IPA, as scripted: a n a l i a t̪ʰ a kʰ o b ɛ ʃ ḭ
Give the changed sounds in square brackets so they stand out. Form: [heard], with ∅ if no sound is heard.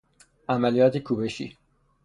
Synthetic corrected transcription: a [m] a l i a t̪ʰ [i] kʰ [u] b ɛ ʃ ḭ